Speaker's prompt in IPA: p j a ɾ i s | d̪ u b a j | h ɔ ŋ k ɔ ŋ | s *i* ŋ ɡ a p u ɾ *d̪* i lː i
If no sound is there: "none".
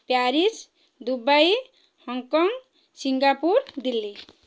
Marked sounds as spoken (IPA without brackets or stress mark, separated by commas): i, d̪